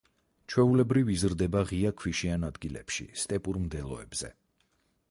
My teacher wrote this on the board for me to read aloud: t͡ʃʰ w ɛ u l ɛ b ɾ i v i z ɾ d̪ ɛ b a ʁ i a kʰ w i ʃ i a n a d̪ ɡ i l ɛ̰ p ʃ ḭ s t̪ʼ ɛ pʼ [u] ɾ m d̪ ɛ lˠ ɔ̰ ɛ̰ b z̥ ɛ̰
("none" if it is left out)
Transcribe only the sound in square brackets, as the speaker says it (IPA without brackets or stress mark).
u